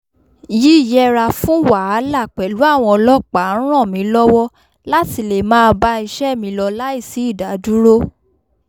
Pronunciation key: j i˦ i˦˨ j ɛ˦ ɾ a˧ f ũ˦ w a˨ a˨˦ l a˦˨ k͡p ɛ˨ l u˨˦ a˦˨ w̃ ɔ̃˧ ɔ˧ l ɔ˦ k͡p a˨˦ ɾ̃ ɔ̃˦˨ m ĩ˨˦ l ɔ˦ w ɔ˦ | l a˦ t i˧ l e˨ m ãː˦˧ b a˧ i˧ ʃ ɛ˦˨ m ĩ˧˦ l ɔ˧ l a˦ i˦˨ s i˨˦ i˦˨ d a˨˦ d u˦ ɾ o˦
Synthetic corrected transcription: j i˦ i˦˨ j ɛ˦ ɾ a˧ f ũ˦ w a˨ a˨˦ l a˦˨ k͡p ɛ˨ l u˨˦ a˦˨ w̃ ɔ̃˧ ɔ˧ l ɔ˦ k͡p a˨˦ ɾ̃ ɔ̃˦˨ m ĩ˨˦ l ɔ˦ w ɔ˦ | l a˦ t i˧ l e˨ m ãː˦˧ b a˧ i˧ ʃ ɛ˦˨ m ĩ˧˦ l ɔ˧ l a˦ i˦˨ s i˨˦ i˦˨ d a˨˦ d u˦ ɾ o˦